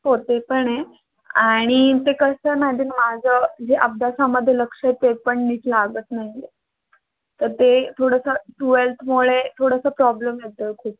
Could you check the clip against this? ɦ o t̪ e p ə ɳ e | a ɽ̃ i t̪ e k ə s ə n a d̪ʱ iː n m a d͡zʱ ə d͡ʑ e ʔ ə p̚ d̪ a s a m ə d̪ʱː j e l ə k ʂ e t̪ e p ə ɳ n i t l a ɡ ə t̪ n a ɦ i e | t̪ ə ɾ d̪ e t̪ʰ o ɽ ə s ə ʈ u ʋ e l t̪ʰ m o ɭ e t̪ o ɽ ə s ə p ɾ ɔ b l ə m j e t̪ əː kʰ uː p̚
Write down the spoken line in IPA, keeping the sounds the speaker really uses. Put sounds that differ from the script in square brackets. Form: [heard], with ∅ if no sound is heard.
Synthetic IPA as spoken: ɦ o t̪ e p ə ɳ e | a ɽ̃ i t̪ e k ə s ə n a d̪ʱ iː n m a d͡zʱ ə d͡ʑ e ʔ ə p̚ d̪ a s a m ə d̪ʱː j e l ə k ʂ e t̪ e p ə ɳ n i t l a ɡ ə t̪ n a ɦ i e | t̪ ə ɾ [t̪] e t̪ʰ o ɽ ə s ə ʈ u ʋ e l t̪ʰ m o ɭ e [t̪ʰ] o ɽ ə s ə p ɾ ɔ b l ə m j e t̪ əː kʰ uː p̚